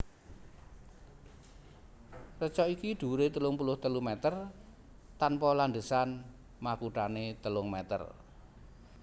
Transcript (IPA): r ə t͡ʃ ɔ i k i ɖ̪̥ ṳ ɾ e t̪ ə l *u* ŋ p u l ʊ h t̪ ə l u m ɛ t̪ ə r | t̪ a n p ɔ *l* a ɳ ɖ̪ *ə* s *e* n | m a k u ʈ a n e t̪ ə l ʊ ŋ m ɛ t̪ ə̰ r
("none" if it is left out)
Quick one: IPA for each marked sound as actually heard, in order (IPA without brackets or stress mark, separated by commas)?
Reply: ʊ, l, ə, a